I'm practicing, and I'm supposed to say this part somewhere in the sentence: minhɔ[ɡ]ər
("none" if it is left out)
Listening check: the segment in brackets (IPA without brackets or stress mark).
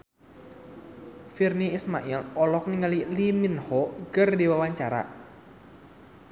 ɡ